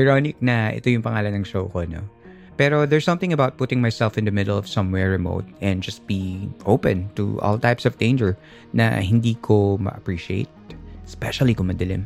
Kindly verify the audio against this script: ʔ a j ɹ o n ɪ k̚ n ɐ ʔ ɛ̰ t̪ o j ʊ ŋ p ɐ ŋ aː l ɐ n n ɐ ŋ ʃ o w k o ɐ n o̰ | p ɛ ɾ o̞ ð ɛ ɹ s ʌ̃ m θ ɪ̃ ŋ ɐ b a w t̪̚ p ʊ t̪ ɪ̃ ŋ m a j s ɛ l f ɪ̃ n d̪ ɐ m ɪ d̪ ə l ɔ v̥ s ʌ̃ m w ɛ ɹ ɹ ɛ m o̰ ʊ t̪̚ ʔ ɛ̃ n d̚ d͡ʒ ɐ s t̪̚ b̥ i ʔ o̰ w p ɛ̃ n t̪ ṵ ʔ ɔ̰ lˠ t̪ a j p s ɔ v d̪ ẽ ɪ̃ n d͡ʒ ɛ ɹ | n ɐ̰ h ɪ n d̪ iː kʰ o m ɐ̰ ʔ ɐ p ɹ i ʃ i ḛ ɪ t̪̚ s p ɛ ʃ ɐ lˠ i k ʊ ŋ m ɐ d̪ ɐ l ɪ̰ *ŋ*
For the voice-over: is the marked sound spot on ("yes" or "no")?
no